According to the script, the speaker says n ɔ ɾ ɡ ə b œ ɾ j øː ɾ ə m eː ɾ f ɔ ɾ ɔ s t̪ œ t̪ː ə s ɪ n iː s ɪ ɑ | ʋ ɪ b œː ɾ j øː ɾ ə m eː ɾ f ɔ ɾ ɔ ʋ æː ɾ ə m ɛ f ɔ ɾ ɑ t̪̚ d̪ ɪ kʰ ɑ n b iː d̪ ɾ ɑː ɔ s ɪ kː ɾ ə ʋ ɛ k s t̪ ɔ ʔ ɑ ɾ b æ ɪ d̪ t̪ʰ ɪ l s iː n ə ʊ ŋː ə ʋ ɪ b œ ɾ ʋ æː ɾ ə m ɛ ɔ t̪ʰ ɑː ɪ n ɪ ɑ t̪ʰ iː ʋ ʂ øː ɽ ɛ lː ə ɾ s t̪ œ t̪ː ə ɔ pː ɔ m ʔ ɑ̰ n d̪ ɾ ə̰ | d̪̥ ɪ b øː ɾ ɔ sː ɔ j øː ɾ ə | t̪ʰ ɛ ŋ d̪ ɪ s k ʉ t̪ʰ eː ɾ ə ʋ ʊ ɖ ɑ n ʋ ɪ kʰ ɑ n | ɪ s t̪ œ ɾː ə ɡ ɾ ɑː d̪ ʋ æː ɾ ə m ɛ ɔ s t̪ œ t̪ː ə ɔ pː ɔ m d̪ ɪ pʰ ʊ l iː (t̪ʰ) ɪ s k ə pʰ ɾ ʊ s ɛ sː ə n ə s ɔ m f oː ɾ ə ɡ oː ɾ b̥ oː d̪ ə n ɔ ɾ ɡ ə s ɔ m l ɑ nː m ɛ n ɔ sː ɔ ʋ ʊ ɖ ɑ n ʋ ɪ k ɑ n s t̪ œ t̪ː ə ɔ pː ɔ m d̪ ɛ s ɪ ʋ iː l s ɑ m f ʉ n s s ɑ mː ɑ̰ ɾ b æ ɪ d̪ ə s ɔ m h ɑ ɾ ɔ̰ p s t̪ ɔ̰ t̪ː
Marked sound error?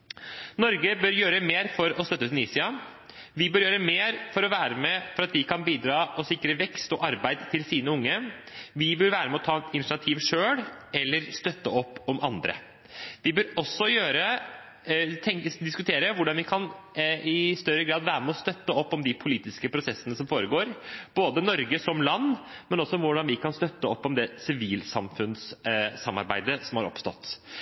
yes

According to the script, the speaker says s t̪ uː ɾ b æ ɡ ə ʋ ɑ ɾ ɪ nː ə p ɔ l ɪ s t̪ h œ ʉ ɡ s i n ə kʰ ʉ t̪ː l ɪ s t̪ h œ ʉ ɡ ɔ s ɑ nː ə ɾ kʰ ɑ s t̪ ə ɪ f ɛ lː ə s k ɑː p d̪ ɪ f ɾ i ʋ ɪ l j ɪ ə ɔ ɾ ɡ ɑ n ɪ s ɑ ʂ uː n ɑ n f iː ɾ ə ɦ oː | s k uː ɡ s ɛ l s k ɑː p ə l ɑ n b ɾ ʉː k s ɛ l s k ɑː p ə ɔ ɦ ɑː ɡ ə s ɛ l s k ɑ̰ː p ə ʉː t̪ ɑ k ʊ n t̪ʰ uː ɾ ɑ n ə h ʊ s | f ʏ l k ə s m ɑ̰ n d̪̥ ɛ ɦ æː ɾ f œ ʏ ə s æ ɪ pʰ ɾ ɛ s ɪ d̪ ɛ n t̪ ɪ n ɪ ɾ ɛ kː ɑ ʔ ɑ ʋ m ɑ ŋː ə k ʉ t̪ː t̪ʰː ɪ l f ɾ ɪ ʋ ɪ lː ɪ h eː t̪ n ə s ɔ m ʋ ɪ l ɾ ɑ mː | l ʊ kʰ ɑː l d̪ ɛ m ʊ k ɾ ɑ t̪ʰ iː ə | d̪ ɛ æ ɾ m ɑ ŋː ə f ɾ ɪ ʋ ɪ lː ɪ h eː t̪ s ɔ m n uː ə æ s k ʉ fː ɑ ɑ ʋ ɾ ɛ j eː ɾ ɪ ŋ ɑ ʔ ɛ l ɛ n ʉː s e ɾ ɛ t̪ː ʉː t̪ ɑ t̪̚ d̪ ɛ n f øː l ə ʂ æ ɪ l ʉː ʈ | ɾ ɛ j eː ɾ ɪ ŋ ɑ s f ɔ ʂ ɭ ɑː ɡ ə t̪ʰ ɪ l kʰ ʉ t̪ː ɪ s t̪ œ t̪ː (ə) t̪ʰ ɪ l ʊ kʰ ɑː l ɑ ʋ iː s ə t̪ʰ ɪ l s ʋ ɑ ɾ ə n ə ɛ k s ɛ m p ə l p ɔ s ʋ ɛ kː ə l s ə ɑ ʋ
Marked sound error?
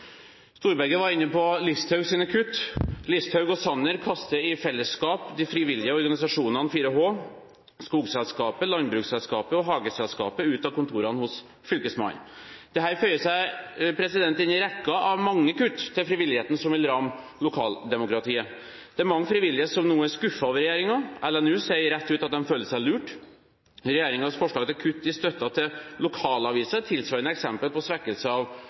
yes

